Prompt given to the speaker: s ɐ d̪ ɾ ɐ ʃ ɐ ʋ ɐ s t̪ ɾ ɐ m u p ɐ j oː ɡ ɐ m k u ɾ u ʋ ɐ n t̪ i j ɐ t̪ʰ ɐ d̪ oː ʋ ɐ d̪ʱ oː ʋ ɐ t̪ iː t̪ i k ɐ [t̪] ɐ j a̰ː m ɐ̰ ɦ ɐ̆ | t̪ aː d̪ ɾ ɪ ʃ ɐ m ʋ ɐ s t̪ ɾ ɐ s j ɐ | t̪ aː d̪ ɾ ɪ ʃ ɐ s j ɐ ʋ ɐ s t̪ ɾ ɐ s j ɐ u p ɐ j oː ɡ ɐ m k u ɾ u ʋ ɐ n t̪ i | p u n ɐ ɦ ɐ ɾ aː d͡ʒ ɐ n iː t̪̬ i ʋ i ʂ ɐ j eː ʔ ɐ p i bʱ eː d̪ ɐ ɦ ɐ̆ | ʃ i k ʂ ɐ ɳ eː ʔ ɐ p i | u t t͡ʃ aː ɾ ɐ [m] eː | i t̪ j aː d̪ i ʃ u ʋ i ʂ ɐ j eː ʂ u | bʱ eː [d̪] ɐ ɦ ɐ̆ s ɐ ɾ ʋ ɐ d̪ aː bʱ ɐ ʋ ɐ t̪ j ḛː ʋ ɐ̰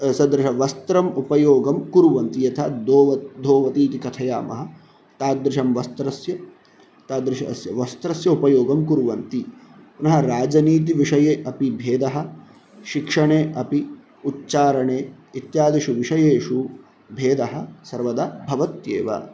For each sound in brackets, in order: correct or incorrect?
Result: incorrect: t̪ʰ, incorrect: ɳ, correct

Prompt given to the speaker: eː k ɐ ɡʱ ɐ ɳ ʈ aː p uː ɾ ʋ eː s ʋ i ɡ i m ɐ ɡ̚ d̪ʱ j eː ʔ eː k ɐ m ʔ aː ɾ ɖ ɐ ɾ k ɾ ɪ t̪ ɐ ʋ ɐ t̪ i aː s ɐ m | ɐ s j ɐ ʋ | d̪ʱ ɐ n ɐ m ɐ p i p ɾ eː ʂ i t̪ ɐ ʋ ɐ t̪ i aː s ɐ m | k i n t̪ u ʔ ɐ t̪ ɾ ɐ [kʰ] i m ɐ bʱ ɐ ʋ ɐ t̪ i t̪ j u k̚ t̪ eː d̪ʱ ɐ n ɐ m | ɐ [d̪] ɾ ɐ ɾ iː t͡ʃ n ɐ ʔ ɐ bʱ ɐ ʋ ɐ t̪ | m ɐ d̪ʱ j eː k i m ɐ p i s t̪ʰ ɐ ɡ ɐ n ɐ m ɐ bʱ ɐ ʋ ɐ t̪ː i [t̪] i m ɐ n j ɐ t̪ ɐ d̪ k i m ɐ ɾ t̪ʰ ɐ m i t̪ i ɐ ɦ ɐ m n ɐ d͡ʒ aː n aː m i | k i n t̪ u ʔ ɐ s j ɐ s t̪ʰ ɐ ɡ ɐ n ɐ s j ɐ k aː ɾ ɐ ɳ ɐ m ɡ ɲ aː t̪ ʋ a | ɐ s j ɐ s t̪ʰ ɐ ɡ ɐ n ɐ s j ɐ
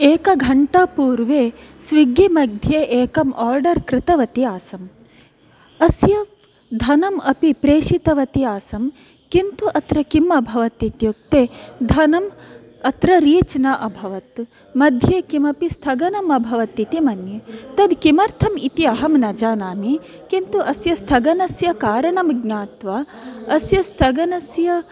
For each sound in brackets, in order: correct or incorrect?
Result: incorrect: k, incorrect: t̪, correct

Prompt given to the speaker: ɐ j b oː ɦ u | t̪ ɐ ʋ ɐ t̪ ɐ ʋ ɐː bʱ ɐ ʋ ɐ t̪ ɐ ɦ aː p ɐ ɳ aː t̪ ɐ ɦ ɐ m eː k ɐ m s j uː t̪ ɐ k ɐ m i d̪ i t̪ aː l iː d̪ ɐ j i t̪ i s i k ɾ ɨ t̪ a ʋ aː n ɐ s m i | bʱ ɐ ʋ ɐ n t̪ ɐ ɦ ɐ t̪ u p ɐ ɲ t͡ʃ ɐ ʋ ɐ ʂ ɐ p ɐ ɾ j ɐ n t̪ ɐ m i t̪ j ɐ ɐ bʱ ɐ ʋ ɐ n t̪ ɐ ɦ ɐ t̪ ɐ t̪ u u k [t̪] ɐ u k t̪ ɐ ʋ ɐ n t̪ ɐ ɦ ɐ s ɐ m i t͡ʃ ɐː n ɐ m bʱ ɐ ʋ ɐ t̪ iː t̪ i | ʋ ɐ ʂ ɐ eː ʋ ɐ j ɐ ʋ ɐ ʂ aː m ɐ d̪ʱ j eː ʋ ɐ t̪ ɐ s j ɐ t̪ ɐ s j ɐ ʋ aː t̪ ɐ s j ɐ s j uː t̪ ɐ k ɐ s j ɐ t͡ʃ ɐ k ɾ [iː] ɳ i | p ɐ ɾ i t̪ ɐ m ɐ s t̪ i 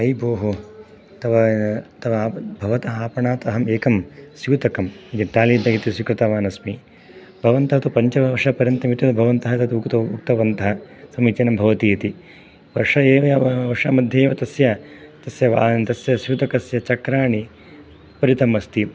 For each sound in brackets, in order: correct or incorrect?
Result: correct, incorrect: aː

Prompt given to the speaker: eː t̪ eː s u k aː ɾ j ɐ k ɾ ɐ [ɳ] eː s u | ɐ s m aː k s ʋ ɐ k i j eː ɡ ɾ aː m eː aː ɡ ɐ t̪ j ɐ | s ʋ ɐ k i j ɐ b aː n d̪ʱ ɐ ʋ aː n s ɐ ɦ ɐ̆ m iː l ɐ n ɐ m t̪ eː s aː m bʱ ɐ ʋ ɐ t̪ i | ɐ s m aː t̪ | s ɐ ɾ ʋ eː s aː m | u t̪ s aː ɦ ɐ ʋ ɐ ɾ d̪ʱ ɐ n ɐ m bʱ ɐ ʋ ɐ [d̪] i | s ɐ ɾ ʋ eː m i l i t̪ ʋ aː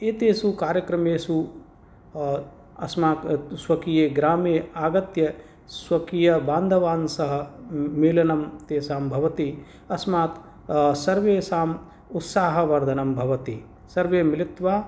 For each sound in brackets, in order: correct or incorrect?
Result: incorrect: m, incorrect: t̪

